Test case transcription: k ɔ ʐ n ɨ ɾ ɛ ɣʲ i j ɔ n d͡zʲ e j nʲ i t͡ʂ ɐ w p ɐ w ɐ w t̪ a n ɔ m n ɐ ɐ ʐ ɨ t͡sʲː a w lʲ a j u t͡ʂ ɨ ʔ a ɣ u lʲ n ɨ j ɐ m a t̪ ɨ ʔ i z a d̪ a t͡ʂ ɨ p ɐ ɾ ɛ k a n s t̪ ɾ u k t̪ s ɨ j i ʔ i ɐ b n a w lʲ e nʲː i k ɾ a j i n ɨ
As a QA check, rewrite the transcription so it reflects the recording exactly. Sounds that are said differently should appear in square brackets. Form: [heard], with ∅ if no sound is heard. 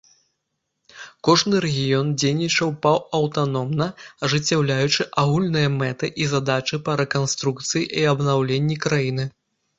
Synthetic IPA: k ɔ ʐ n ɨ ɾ ɛ ɣʲ i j ɔ n d͡zʲ e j nʲ i t͡ʂ ɐ w p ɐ w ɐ w t̪ a n ɔ m n ɐ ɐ ʐ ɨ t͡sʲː a w lʲ a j u t͡ʂ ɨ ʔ a ɣ u lʲ n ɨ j ɐ m [ɛ] t̪ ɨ ʔ i z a d̪ a t͡ʂ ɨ p ɐ ɾ ɛ k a n s t̪ ɾ u k t̪ s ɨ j i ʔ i ɐ b n a w lʲ e nʲː i k ɾ a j i n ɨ